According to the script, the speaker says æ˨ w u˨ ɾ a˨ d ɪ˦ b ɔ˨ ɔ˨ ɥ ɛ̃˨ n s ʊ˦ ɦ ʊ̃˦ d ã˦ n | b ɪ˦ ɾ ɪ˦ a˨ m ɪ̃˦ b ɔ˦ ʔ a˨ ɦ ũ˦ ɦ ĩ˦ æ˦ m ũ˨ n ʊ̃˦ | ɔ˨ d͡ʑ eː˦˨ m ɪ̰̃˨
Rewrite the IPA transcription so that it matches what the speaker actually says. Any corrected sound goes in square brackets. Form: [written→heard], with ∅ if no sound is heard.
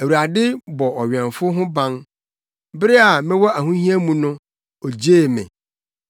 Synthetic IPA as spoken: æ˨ w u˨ ɾ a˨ d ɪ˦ b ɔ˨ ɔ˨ ɥ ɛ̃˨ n [s→f] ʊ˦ ɦ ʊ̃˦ [d→b] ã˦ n | b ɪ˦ ɾ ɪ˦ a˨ m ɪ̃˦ [b→w] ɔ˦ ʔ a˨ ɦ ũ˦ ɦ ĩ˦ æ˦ m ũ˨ n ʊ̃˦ | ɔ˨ d͡ʑ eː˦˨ m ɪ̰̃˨

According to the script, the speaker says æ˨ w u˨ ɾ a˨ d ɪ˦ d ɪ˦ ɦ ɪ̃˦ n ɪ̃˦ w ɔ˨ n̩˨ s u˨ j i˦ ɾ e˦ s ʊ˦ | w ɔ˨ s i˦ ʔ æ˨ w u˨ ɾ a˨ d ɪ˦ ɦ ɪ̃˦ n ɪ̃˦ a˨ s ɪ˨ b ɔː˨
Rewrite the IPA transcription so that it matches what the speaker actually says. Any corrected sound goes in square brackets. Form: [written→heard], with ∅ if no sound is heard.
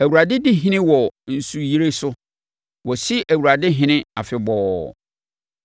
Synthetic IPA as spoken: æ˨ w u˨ ɾ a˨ d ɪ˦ d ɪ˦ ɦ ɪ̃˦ n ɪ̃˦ w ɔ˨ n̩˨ s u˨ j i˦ ɾ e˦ s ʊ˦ | w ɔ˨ s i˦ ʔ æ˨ w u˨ ɾ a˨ d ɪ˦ ɦ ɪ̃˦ n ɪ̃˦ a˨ [s→f] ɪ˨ b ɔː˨

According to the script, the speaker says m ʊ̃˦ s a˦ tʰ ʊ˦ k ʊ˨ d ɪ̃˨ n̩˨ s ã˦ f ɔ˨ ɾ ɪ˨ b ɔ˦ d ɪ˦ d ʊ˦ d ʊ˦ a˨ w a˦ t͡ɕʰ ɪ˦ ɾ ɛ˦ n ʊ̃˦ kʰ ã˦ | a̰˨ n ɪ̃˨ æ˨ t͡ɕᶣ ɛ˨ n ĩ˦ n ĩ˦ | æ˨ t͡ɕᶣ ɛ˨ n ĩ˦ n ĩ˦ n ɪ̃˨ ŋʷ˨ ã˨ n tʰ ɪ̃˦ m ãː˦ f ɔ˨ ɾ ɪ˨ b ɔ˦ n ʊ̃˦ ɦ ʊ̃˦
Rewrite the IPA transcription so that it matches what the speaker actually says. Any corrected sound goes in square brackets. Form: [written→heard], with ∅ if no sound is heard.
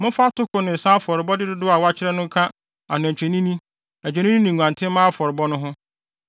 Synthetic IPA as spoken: m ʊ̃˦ [s→f] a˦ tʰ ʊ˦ k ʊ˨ [d→n] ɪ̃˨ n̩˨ s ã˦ f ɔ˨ ɾ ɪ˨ b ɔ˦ d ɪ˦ d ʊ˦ d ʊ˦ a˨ w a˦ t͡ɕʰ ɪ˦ ɾ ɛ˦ n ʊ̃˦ kʰ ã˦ | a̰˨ n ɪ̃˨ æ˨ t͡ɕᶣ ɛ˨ n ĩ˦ n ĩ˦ | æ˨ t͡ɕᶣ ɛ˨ n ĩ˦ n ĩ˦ n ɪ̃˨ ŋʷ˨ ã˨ n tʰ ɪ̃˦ m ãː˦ f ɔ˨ ɾ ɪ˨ b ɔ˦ n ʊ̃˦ ɦ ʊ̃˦

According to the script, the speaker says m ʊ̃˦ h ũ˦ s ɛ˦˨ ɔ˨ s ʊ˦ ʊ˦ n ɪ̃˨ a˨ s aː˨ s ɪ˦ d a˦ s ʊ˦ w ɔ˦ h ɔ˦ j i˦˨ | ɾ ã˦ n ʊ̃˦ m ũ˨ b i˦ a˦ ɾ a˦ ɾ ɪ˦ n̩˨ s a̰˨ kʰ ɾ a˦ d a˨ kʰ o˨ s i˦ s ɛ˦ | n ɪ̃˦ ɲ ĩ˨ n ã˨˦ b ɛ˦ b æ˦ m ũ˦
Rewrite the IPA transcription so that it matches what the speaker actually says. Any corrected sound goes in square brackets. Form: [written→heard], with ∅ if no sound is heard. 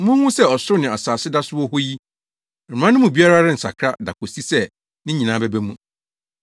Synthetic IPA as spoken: m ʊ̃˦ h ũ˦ s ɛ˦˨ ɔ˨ s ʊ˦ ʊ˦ n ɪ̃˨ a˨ s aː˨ s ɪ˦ d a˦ s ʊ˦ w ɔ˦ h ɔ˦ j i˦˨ | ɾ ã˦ n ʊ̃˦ m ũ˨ b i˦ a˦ ɾ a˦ ɾ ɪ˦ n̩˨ s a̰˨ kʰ ɾ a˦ d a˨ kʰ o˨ s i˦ s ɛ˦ | n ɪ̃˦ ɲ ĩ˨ n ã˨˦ b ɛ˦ b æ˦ m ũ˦

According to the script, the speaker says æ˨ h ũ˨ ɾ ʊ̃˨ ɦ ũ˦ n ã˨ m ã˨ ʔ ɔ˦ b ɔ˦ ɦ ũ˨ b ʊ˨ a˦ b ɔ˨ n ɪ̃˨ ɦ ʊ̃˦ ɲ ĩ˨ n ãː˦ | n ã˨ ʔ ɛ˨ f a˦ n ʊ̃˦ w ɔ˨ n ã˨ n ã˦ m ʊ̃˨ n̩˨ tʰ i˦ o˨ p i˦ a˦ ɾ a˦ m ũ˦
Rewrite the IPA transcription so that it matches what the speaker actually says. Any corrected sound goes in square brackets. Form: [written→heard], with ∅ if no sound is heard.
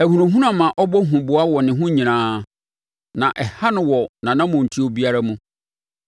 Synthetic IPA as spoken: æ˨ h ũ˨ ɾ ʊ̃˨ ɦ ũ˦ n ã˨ m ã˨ ʔ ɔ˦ b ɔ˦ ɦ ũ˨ b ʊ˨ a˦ [b→w] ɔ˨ n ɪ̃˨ ɦ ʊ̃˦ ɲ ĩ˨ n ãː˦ | n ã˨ ʔ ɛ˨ [f→h] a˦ n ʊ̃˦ w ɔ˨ n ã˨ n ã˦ m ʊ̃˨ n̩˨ tʰ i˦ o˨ [p→b] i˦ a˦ ɾ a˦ m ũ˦

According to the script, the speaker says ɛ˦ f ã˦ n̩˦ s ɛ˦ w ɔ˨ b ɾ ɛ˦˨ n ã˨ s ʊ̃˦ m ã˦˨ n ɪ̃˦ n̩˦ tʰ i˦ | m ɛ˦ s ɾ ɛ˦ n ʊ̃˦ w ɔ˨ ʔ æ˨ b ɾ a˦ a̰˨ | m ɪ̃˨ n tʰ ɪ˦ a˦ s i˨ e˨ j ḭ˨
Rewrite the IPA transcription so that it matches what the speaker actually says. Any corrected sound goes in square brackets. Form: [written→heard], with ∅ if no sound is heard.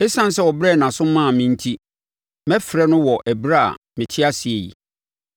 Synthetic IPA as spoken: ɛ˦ [f→s] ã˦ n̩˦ s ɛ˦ w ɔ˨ b ɾ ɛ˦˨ n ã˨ s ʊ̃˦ m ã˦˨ [n→m] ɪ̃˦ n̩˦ tʰ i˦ | m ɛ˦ [s→f] ɾ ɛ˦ n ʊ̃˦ w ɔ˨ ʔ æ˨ b ɾ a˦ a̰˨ | m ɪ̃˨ [n→∅] tʰ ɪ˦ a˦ s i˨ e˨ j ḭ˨

